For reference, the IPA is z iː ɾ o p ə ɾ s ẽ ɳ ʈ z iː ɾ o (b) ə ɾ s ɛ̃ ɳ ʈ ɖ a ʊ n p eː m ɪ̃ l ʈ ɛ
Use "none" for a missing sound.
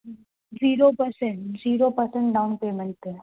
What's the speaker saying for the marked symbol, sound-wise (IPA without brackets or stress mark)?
p